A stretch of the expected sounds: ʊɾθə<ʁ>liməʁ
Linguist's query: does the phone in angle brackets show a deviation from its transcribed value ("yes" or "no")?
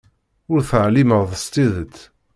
yes